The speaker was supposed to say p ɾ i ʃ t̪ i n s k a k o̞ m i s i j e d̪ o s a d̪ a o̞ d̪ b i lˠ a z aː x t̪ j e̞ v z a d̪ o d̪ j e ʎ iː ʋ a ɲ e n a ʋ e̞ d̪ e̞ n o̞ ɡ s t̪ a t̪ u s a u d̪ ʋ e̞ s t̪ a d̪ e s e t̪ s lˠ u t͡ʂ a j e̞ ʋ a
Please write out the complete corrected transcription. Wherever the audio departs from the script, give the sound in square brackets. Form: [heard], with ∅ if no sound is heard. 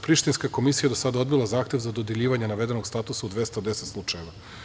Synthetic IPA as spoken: p ɾ i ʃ t̪ i n s k a k o̞ m i s i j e d̪ o s a d̪ a o̞ d̪ b i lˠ a z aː x t̪ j e̞ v z a d̪ o d̪ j e ʎ iː ʋ a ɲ e n a ʋ e̞ d̪ e̞ n o̞ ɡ s t̪ a t̪ u s a u d̪ ʋ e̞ s t̪ a d̪ e s e t̪ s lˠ u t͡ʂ a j e̞ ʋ a